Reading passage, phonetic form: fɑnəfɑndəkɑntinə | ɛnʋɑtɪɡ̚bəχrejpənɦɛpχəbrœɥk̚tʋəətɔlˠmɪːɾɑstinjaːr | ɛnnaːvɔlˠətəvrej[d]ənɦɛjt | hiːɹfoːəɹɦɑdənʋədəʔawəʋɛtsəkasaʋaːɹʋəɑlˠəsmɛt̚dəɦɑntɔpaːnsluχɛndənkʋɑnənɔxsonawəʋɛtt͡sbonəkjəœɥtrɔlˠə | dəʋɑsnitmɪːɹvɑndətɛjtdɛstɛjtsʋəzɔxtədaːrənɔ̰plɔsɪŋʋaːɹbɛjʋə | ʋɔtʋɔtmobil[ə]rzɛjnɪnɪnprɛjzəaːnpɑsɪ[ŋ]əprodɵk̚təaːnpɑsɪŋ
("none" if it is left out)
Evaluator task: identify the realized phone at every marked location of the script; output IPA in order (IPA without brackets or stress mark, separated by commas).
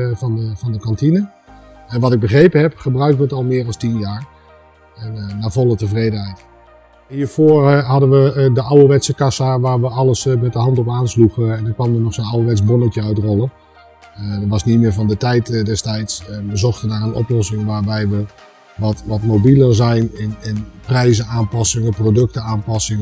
d, ə, ŋ